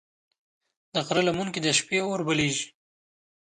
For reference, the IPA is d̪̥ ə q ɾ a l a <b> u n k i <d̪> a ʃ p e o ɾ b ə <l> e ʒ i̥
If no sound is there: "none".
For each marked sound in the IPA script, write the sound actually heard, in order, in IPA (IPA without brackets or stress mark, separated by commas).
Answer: m, d̪, l